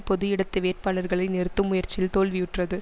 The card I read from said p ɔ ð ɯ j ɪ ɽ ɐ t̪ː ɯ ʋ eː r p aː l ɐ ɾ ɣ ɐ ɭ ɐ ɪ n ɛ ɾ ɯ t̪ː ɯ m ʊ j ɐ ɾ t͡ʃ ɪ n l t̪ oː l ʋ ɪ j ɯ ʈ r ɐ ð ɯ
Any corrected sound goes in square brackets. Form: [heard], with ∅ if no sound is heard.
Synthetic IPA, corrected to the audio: p ɔ ð ɯ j ɪ ɽ ɐ t̪ː ɯ ʋ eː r p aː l ɐ ɾ ɣ ɐ ɭ ɐ ɪ n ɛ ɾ ɯ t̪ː ɯ m ʊ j ɐ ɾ t͡ʃ ɪ [∅] l t̪ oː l ʋ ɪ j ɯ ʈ r ɐ ð ɯ